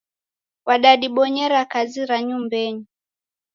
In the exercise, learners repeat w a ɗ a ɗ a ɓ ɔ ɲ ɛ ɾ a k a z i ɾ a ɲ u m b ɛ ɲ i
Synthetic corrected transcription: w a ɗ a ɗ i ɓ ɔ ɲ ɛ ɾ a k a z i ɾ a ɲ u m b ɛ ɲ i